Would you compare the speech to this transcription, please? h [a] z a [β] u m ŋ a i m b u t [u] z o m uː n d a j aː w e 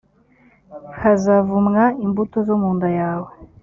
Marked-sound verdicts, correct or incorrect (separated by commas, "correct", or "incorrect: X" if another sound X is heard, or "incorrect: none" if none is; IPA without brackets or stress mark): correct, incorrect: v, incorrect: o